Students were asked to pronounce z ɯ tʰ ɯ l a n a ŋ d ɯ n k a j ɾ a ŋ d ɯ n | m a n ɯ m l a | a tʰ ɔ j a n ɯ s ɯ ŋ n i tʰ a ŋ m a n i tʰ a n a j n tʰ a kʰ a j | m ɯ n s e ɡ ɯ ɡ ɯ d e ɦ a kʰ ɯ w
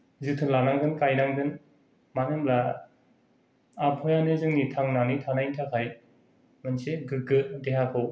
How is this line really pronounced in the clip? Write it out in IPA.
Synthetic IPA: z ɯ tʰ ɯ l a n a ŋ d ɯ n k a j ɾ a ŋ d ɯ n | m a n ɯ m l a | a pʰ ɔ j a n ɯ z ɯ ŋ n i tʰ a ŋ n a n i tʰ a n a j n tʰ a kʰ a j | m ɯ n s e ɡ ɯ ɡ ɯ d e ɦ a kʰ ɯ w